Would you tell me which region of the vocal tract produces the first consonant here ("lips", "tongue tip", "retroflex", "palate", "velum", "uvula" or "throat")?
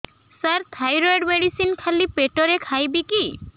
tongue tip